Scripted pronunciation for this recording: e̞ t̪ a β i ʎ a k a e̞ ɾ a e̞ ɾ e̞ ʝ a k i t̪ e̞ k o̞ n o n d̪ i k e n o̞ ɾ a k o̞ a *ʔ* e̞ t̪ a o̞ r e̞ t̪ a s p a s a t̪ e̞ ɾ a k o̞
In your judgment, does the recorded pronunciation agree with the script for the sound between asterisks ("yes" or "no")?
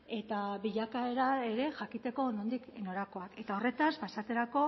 no